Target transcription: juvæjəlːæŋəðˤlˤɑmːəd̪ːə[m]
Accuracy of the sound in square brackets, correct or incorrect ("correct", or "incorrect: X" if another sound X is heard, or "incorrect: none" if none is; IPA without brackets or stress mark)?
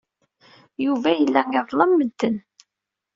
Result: incorrect: n